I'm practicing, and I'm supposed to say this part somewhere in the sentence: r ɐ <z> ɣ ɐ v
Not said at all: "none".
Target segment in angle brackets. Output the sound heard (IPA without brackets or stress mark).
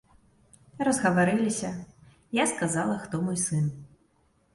z